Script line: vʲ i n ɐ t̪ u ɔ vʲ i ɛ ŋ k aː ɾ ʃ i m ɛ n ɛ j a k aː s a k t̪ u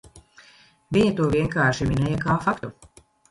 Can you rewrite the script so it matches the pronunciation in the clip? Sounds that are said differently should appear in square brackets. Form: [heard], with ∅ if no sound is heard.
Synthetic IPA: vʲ i [ɲ] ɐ t̪ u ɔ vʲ i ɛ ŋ k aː ɾ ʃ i m [i] n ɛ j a k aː [f] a k t̪ u